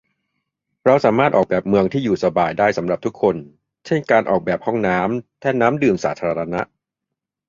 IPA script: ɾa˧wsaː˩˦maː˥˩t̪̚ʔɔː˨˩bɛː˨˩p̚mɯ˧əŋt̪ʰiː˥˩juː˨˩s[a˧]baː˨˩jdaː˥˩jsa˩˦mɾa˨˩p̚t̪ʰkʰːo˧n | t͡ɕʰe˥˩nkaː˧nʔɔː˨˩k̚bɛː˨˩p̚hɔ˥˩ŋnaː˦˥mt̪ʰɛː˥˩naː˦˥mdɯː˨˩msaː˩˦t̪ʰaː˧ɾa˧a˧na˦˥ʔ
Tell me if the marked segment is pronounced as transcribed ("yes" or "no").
yes